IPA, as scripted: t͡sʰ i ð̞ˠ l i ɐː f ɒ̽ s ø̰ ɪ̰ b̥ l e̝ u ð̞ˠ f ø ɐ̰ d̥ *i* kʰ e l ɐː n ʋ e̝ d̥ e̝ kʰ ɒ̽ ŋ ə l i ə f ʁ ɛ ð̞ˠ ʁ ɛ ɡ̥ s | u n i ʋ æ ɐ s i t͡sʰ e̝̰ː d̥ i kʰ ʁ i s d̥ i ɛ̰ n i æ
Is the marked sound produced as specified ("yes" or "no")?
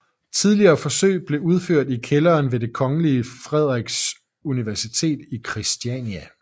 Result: yes